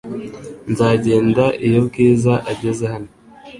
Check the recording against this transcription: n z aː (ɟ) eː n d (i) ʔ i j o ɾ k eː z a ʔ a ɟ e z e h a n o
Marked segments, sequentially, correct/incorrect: correct, incorrect

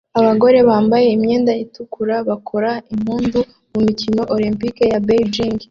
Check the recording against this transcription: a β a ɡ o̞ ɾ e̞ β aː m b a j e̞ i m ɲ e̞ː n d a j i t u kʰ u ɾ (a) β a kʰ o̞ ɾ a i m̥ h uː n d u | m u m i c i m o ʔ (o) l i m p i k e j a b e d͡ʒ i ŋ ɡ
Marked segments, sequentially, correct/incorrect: correct, correct

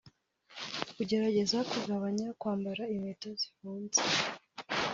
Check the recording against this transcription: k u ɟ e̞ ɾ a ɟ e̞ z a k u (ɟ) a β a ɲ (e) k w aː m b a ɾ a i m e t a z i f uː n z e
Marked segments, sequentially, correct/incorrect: incorrect, incorrect

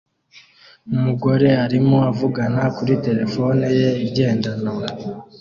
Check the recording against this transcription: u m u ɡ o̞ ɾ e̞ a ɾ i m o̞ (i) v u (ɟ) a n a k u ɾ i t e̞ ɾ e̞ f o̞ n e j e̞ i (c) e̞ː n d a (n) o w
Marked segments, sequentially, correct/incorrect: incorrect, incorrect, incorrect, correct

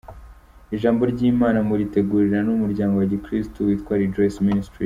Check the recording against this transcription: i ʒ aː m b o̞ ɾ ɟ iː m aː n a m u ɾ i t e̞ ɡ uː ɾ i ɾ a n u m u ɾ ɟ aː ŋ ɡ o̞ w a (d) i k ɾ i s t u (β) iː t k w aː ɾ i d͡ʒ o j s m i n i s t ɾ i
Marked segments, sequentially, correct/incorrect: incorrect, incorrect

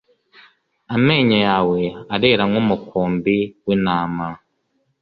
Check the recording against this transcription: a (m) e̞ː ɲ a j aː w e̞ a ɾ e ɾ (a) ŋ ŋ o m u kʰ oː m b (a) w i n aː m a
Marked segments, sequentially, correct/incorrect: correct, correct, incorrect

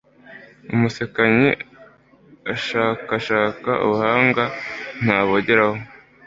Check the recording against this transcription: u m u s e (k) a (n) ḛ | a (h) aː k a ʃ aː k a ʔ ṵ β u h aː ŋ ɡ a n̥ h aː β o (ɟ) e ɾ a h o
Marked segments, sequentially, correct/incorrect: correct, incorrect, incorrect, correct

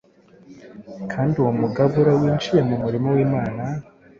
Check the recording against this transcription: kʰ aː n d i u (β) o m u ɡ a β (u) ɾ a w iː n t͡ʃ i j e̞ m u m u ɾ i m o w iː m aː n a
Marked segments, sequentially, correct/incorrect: incorrect, correct

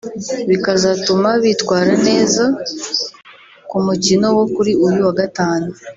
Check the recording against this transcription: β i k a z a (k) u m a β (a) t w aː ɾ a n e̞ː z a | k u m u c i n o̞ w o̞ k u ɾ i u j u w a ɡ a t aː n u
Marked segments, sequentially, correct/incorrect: incorrect, incorrect

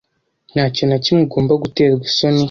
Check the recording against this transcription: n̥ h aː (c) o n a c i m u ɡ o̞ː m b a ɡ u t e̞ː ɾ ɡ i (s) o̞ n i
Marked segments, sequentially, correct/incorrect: correct, correct

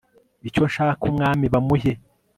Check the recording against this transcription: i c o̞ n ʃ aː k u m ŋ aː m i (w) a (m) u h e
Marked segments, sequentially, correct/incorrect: incorrect, correct

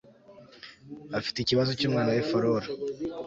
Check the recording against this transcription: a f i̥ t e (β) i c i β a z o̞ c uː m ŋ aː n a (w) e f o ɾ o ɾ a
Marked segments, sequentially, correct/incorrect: incorrect, correct

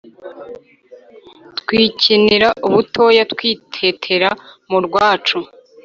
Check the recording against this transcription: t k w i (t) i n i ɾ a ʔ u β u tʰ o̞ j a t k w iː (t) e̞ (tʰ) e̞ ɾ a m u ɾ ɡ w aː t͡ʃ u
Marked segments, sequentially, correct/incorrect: incorrect, incorrect, correct

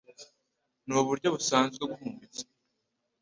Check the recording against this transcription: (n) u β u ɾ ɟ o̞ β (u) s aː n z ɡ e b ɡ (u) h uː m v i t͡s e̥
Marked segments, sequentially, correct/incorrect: correct, correct, correct

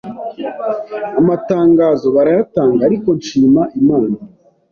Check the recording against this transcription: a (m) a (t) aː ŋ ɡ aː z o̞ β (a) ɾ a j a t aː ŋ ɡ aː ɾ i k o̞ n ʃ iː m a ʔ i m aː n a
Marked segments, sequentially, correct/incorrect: correct, correct, correct

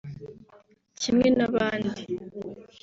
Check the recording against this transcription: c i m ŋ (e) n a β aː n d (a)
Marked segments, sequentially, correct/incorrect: correct, incorrect

